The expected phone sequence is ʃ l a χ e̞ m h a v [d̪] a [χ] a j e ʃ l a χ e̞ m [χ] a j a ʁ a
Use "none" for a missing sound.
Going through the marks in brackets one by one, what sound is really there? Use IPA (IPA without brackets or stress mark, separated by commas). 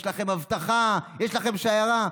t̪, χ, ʃ